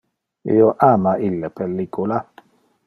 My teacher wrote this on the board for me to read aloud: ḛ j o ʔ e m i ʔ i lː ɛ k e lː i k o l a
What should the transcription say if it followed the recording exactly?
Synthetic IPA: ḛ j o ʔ a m a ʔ i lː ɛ p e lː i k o l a

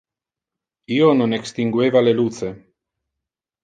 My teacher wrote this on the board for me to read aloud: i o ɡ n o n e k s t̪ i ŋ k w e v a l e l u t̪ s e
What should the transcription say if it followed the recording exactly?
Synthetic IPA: i o n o n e k s t̪ i ŋ ɡ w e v a l e l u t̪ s e

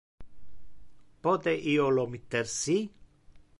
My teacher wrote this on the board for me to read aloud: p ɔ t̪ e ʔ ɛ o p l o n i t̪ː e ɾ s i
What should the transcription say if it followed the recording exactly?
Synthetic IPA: p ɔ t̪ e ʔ i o l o m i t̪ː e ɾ s i

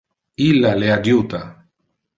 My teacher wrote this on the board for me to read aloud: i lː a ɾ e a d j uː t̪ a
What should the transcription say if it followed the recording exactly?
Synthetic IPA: i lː a l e a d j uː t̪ a

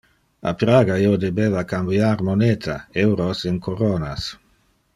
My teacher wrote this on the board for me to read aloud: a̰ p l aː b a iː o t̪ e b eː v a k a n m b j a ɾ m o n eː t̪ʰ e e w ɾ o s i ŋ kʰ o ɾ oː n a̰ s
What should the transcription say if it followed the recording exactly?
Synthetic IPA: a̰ p ɾ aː ɡ a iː o d̪ e b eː v a k a m b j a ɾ m o n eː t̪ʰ a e w ɾ o s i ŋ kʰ o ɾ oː n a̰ s

